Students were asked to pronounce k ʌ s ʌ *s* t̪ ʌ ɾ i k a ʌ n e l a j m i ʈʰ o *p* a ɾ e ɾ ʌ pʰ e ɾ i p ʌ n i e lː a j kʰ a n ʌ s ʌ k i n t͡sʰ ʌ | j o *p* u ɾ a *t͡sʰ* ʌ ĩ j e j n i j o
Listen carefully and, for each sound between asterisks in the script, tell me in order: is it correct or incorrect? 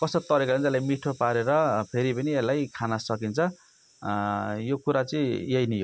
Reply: incorrect, correct, incorrect, incorrect

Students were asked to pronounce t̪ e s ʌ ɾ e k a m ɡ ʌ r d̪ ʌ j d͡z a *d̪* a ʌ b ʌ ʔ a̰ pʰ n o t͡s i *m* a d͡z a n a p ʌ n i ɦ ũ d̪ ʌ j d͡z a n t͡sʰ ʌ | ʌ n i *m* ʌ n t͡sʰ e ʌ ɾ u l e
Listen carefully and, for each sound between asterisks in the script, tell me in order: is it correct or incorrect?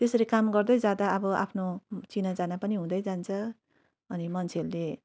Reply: correct, incorrect, correct

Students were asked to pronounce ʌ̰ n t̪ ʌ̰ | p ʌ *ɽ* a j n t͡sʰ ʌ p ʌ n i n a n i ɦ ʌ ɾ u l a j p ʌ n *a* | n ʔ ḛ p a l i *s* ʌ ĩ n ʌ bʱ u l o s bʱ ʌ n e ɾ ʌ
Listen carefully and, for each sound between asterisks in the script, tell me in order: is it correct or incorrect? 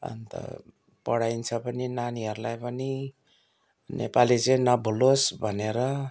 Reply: correct, incorrect, incorrect

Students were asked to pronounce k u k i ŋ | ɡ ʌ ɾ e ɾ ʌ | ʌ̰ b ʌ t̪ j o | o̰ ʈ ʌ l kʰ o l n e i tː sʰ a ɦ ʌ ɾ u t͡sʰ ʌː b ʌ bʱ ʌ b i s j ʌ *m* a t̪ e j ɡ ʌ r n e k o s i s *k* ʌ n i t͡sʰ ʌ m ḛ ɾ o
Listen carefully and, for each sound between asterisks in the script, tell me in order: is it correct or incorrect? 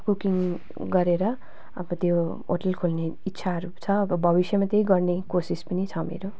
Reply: correct, incorrect

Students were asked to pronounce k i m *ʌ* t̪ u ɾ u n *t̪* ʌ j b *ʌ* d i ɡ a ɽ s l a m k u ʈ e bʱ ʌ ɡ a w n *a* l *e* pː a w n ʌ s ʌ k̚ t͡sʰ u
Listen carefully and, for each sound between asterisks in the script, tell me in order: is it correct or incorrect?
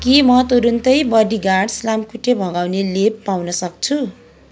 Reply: correct, correct, correct, incorrect, correct

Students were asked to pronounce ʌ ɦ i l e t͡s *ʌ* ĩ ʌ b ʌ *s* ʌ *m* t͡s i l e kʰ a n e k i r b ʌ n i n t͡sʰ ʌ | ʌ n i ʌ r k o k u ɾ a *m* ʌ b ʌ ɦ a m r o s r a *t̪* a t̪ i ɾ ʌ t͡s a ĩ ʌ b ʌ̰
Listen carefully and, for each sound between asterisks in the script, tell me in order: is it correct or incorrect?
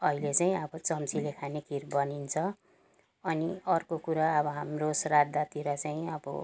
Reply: incorrect, incorrect, correct, incorrect, incorrect

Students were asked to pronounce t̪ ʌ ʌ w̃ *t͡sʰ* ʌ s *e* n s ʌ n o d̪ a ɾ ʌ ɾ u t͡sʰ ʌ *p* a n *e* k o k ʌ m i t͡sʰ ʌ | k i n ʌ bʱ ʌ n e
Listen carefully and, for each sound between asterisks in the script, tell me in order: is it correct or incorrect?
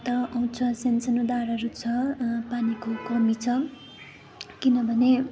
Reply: correct, correct, correct, incorrect

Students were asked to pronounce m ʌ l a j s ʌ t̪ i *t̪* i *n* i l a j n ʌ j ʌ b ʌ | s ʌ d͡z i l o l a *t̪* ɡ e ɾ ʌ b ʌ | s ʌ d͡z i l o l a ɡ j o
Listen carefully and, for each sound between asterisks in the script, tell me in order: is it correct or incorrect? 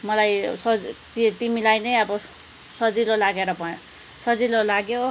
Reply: correct, incorrect, incorrect

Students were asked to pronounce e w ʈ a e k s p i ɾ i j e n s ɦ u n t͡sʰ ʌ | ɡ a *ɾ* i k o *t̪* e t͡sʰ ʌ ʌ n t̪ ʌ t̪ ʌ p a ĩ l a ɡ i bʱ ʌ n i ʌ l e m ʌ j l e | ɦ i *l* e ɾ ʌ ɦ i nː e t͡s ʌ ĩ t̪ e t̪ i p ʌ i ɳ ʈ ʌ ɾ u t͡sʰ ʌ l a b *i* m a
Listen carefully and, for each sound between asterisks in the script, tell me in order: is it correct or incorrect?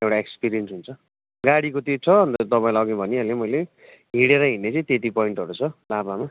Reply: incorrect, correct, incorrect, incorrect

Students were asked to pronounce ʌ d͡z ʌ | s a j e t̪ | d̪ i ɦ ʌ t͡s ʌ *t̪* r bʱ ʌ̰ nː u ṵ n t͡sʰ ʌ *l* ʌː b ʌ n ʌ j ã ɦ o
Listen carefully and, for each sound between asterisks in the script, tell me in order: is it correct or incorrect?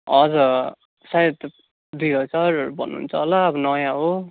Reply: incorrect, correct

